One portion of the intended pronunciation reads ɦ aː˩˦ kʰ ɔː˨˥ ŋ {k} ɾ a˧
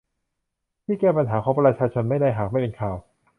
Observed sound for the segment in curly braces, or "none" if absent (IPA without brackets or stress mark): p